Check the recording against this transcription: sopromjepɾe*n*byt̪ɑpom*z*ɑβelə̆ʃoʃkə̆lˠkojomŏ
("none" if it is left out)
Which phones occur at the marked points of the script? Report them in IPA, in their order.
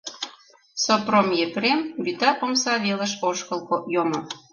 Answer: m, s

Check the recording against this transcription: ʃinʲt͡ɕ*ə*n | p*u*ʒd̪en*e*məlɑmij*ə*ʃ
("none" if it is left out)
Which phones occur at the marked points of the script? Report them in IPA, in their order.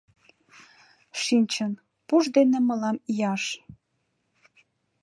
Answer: ə, u, e, ɑ

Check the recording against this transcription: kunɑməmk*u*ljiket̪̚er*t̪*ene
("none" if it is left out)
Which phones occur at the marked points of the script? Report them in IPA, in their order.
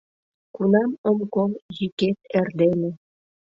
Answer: o, d̪

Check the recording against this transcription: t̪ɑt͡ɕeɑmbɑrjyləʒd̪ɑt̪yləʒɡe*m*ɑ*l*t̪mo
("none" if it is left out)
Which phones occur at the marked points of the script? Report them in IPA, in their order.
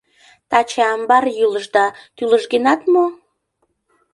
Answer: n, none

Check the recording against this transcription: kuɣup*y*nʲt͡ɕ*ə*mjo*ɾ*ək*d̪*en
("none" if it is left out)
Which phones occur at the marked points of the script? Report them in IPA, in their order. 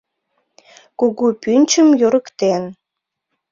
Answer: y, ə, ɾ, t̪

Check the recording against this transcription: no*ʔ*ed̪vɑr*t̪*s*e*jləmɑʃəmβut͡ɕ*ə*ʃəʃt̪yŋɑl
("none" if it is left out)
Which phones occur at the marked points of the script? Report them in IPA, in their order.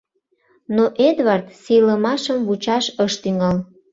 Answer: ʔ, t̪, i, ɑ

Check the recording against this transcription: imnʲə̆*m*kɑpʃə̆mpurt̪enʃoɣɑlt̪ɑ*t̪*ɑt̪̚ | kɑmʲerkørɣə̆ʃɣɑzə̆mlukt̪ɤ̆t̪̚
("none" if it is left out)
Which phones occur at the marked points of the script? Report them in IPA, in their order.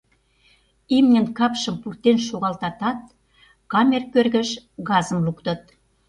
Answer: n, t̪

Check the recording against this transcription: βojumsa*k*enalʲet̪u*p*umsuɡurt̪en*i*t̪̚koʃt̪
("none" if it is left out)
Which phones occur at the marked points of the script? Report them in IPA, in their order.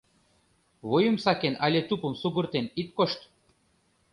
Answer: k, p, i

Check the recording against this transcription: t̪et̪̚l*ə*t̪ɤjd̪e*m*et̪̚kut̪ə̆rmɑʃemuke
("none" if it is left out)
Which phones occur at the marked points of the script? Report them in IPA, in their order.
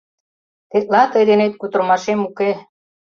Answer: ɑ, n

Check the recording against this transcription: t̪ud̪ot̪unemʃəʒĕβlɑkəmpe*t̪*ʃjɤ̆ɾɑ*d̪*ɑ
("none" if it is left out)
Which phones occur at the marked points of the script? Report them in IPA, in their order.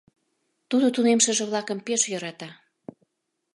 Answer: none, t̪

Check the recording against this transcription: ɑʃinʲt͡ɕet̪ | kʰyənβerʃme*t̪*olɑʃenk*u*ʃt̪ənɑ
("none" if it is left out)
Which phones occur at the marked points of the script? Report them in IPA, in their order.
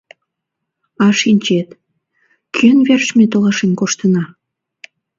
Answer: t̪, o

